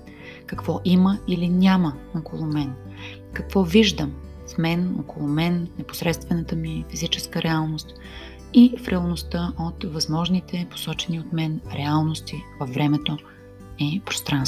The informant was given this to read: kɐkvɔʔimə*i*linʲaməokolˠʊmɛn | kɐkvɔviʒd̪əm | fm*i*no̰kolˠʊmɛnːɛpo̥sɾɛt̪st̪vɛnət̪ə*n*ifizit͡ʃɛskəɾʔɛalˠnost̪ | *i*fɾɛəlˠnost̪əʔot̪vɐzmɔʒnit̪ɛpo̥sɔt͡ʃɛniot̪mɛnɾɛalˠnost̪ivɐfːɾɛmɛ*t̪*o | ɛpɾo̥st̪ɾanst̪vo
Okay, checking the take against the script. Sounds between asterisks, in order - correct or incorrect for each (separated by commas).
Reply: correct, incorrect, incorrect, correct, correct